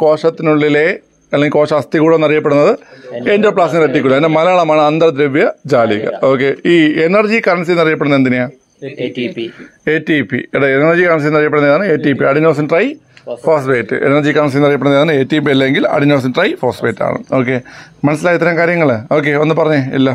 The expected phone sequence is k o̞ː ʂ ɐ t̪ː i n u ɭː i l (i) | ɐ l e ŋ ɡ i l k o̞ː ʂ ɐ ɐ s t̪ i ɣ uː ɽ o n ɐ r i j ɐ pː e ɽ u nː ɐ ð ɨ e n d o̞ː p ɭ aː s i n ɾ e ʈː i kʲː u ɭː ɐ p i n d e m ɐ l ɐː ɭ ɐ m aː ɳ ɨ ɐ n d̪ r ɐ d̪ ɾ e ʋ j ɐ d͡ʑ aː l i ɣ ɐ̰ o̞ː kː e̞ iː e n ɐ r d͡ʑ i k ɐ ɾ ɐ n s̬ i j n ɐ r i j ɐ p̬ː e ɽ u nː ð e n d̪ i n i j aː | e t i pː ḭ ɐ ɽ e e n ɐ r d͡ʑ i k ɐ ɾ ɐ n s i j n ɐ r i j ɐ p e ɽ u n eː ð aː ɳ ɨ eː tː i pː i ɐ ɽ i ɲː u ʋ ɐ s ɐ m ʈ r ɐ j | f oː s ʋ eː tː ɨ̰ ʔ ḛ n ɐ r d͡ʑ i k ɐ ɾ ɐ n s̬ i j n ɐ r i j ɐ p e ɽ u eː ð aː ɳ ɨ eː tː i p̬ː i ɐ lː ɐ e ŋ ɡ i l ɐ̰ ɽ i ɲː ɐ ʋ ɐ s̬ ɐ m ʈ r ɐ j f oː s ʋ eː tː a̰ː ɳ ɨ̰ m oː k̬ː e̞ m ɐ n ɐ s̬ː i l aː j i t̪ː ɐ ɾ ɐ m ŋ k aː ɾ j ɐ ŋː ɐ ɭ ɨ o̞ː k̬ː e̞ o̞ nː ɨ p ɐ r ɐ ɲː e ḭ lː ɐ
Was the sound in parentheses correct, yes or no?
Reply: no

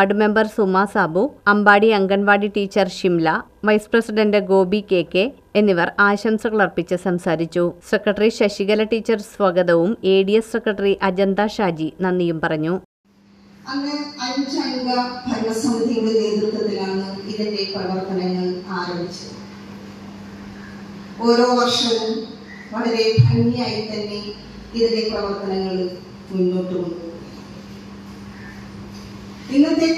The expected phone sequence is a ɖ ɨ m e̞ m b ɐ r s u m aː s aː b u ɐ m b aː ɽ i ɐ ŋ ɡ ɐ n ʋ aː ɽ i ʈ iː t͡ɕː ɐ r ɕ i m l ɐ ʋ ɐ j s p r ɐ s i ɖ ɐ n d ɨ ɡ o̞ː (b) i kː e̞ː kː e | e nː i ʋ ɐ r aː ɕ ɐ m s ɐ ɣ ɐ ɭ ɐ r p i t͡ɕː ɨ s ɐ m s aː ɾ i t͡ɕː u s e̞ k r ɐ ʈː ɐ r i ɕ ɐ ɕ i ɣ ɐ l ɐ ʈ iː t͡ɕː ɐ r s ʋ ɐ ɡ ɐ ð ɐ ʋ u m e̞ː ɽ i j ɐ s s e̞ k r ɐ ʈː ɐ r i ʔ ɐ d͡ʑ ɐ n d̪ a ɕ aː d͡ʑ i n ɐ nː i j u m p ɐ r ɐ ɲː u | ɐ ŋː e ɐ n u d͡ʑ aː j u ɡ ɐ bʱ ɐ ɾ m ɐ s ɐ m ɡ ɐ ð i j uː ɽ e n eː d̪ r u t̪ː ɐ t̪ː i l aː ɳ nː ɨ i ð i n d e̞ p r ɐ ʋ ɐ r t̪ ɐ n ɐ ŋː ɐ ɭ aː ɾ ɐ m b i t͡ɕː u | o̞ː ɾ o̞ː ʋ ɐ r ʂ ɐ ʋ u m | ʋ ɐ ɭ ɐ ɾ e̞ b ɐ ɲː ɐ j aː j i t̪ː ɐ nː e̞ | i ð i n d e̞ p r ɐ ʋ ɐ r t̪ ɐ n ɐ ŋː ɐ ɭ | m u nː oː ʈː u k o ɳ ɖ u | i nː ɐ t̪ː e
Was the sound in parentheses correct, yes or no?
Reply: yes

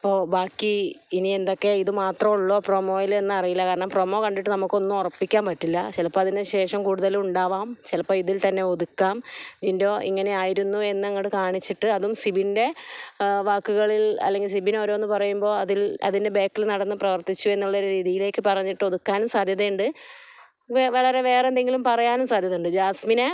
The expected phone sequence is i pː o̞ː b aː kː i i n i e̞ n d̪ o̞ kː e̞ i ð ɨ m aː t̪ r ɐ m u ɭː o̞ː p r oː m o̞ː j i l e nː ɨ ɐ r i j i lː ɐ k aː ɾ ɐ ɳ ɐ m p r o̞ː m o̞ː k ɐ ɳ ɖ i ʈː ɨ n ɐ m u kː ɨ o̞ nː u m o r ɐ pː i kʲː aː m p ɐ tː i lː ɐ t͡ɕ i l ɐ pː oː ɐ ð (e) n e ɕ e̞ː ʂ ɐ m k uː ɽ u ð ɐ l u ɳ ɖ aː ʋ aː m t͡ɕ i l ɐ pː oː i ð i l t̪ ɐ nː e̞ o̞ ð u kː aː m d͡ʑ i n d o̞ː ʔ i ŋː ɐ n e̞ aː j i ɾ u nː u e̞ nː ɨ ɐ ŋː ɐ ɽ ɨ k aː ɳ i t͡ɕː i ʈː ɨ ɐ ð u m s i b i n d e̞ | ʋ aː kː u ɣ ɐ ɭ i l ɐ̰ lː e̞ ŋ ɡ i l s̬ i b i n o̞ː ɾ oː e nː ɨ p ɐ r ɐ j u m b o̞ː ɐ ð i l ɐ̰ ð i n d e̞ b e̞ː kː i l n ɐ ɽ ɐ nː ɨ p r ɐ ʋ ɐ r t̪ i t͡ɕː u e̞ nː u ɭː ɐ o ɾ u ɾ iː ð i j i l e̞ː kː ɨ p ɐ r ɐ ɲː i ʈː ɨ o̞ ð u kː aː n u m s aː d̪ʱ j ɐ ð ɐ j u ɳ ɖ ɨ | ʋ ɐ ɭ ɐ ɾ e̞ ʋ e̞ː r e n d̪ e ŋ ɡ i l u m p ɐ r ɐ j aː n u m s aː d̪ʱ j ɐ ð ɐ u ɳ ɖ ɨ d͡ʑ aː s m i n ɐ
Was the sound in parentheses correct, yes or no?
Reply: no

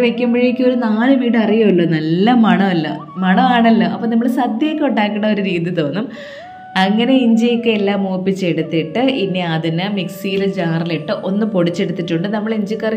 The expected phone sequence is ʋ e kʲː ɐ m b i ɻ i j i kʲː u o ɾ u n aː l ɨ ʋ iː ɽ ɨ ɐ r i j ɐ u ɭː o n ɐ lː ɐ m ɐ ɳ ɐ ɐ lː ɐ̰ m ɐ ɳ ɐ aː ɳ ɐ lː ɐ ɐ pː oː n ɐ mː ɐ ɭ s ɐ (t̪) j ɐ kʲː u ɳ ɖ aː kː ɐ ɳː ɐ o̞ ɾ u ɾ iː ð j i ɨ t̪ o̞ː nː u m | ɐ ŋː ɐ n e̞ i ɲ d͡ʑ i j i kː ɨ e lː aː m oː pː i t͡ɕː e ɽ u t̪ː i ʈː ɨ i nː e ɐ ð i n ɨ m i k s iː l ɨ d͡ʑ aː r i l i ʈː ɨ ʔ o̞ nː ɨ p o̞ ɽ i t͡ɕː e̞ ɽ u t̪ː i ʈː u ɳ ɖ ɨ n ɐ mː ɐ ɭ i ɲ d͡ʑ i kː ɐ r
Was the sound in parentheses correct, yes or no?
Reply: no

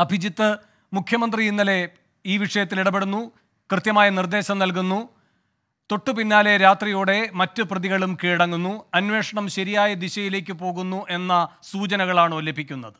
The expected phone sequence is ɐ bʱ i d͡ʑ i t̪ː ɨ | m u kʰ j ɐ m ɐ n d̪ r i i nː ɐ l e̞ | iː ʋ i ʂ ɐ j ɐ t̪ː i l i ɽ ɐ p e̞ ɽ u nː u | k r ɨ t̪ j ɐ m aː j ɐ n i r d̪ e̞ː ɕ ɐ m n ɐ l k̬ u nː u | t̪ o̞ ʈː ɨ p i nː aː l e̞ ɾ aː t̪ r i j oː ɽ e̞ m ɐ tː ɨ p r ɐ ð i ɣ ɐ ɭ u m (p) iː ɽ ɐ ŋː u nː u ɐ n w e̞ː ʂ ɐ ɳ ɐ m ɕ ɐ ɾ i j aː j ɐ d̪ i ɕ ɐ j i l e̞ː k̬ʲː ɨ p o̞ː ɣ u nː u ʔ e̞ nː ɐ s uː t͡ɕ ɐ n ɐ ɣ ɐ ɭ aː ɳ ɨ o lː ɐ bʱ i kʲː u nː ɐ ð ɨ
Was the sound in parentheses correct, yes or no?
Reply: no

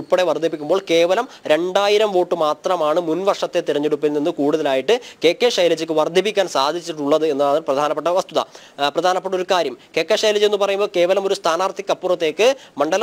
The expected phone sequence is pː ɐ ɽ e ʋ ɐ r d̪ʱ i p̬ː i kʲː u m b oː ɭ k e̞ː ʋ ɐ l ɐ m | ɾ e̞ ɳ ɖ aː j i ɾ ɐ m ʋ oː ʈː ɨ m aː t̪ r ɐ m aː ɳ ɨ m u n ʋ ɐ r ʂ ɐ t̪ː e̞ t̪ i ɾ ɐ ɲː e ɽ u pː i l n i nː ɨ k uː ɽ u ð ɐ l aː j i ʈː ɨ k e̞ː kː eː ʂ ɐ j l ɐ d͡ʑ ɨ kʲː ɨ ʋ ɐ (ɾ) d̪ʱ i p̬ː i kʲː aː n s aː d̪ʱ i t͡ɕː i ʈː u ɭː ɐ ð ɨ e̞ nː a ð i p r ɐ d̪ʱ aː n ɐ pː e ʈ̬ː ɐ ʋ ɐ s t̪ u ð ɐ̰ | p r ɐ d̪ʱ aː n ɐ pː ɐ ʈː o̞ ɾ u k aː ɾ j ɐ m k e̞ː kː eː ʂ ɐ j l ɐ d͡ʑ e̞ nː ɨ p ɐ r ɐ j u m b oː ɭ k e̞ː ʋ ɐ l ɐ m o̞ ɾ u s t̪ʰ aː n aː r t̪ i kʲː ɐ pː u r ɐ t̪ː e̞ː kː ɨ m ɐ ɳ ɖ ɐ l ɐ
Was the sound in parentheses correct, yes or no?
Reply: no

